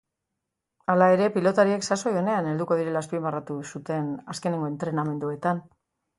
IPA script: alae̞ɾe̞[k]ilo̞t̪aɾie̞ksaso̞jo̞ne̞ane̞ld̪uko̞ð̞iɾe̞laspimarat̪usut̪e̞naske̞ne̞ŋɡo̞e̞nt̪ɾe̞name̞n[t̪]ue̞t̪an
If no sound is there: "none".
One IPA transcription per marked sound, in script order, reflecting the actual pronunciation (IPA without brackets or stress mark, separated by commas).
p, d̪